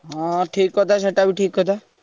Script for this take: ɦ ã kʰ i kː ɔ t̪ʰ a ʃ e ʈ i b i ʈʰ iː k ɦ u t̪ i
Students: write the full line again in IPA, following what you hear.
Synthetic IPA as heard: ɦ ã ʈʰ i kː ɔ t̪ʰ a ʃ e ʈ a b i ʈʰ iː k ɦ ɔ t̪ a